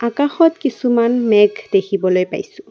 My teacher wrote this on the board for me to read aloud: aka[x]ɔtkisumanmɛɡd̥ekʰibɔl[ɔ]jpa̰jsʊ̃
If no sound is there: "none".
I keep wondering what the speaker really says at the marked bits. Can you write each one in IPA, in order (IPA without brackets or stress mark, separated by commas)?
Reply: x, o